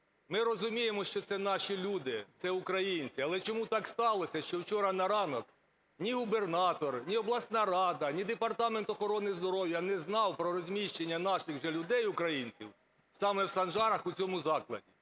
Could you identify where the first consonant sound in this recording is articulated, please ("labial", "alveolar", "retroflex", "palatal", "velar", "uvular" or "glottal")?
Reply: labial